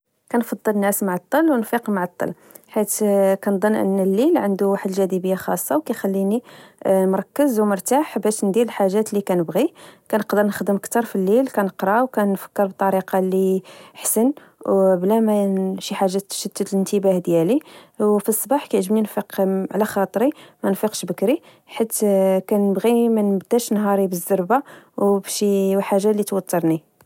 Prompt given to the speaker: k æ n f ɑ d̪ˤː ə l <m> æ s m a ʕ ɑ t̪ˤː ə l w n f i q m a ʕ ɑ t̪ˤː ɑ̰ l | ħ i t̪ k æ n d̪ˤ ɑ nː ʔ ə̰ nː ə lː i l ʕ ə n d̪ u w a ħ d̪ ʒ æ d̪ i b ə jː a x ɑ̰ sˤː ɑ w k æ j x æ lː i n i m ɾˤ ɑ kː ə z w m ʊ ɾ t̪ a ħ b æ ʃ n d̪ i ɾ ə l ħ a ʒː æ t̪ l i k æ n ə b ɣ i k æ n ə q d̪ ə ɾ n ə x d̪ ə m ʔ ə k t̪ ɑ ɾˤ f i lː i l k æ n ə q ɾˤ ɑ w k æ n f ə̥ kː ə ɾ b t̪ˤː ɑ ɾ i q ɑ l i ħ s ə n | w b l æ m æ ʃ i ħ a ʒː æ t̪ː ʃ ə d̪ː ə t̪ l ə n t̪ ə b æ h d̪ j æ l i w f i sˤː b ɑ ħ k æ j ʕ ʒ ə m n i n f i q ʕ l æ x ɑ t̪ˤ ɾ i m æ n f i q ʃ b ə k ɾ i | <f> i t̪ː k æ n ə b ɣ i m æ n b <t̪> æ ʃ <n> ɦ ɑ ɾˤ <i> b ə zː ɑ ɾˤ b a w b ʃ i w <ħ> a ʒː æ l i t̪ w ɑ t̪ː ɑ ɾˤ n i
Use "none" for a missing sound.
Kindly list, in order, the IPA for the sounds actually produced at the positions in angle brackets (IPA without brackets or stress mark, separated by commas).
n, ħ, d̪, n, i, ħ